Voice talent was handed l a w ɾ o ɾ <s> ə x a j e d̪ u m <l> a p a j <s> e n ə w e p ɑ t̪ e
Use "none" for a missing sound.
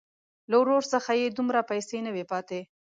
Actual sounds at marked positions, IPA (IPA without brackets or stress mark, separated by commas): s, ɾ, s